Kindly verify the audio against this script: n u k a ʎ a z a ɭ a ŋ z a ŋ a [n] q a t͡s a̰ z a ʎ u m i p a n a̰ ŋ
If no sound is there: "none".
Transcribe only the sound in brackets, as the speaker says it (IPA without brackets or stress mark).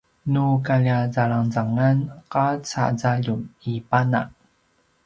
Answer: n